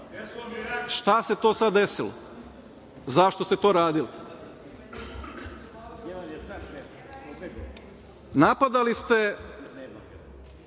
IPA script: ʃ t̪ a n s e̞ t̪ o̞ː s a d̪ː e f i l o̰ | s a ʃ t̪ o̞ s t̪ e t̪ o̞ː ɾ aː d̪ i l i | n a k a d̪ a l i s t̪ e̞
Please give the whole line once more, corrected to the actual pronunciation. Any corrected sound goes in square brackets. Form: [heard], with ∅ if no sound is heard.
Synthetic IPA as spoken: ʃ t̪ a [∅] s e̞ t̪ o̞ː s a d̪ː e [s] i l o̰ | [z] a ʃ t̪ o̞ s t̪ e t̪ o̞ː ɾ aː d̪ i l i | n a [p] a d̪ a l i s t̪ e̞